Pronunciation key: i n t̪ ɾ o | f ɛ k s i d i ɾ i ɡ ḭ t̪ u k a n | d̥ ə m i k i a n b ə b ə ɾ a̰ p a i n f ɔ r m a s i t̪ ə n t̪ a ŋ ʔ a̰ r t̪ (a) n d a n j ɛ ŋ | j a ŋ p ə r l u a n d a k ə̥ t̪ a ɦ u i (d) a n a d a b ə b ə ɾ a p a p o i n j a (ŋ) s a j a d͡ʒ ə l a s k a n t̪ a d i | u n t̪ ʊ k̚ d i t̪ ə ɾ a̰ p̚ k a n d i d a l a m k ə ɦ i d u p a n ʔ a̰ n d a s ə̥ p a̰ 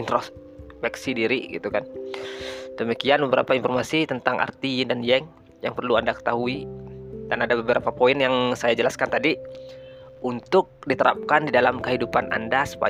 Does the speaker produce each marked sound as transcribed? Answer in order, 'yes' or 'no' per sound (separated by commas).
no, yes, yes